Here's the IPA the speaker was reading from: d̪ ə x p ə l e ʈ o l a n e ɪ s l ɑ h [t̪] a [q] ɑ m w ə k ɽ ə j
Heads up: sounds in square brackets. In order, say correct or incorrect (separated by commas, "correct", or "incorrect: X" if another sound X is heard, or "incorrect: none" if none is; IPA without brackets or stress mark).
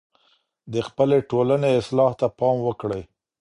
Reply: correct, incorrect: p